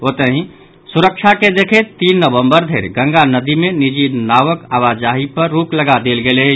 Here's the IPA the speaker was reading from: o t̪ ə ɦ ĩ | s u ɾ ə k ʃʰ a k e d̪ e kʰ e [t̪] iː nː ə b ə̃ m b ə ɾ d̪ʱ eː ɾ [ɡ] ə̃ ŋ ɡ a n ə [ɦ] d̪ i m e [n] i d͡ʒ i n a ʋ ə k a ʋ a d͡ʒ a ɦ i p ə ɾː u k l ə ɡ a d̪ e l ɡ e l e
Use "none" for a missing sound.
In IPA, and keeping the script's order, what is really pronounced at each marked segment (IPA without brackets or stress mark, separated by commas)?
t̪, ɡ, none, n